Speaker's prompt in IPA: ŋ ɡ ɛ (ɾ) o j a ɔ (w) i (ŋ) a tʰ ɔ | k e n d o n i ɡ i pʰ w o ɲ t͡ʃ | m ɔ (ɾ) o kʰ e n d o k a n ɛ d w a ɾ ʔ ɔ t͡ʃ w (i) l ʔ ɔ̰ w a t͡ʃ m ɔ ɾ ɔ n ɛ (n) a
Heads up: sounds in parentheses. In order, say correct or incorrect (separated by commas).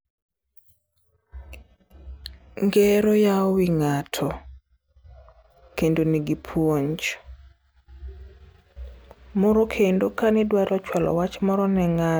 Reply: correct, correct, correct, correct, incorrect, incorrect